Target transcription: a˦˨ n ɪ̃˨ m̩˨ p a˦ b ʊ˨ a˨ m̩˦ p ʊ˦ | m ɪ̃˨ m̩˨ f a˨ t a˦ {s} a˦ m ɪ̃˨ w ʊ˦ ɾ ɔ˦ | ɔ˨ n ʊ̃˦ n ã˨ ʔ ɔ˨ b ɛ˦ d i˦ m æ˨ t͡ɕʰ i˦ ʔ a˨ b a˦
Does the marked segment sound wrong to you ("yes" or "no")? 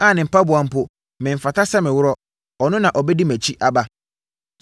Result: no